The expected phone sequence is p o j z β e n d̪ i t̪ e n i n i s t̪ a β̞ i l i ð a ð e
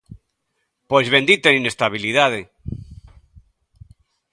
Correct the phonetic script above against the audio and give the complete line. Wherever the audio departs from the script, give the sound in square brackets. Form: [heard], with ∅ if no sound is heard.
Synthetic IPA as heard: p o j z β e n d̪ i t̪ e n i n [e] s t̪ a β̞ i l i ð a ð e